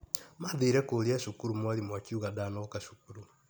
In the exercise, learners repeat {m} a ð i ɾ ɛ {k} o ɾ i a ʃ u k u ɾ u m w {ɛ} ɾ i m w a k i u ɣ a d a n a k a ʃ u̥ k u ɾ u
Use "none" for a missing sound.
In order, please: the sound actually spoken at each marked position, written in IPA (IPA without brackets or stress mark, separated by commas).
m, k, a